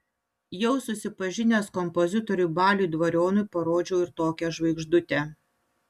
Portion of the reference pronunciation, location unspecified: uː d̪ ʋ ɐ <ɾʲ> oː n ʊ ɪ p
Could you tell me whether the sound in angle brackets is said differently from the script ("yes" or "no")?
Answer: no